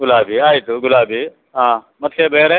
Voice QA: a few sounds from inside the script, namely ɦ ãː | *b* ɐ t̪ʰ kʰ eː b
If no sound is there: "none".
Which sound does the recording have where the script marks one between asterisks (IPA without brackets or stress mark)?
m